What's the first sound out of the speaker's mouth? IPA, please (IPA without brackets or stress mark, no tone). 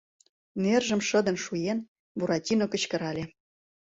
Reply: n